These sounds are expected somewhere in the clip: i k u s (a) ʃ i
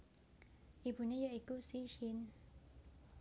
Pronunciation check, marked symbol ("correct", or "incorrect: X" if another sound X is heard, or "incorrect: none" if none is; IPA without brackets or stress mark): incorrect: i